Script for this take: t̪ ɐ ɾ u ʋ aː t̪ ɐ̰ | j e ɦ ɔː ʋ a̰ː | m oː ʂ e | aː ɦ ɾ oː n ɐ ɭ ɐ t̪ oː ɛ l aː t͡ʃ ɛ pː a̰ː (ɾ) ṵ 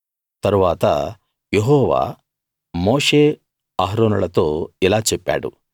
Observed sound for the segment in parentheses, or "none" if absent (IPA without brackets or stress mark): ɽ